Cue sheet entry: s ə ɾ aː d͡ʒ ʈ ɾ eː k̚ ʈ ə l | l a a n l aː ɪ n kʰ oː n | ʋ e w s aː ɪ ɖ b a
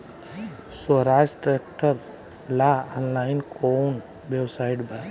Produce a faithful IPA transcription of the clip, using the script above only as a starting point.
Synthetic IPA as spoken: s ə ɾ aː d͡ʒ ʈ ɾ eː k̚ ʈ ə ɾ | l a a n l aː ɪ n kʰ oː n | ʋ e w s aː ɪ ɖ b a